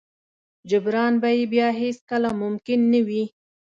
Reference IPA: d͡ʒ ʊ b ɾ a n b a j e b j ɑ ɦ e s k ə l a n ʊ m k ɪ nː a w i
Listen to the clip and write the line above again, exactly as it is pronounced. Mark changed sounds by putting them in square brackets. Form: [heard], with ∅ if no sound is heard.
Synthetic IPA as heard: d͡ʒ ʊ b ɾ [ɑ] n b a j e b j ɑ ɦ e s k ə l a [m] ʊ m k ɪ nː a w i